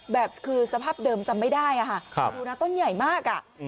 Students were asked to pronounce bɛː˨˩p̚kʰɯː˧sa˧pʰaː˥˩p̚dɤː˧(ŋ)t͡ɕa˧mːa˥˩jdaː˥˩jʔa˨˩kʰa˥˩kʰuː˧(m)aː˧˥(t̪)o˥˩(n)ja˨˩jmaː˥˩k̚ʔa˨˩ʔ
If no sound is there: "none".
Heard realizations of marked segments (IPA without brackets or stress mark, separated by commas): m, n, t̪, n